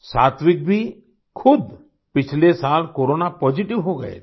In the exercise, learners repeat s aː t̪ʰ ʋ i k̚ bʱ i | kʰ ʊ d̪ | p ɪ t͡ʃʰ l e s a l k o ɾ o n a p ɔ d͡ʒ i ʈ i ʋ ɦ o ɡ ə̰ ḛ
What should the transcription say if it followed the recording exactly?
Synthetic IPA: s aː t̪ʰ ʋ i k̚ bʱ i | kʰ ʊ d̪ | p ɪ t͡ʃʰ l e s a l k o ɾ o n a p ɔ d͡ʒ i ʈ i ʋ ɦ o ɡ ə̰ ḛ